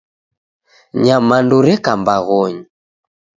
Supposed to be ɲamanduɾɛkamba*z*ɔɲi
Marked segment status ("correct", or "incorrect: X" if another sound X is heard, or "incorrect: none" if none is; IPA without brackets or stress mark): incorrect: ɣ